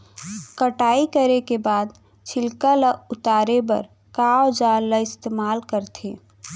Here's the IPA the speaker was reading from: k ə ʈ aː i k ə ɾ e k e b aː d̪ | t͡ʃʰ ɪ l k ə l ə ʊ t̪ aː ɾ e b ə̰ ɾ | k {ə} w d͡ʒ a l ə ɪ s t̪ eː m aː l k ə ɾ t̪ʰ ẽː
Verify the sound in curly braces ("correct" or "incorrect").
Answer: incorrect